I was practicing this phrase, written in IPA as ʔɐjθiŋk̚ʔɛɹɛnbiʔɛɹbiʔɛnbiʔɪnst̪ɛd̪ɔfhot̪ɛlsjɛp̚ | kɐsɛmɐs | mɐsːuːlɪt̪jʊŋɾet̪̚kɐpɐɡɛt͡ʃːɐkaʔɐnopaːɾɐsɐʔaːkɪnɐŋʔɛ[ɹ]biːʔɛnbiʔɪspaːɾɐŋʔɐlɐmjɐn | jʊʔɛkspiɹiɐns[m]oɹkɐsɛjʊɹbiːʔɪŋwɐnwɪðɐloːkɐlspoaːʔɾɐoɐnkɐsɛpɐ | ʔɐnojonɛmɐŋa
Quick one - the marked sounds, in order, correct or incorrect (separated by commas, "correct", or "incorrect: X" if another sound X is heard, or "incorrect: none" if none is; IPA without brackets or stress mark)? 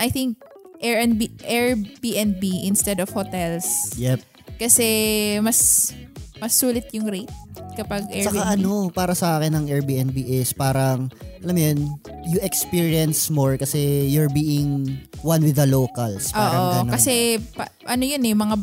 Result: correct, correct